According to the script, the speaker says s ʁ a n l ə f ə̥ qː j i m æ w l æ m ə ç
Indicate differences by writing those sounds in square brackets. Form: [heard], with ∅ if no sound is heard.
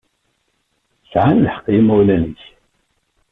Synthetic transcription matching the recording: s [ʕ] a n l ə [ħ] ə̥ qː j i m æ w l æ [n] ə ç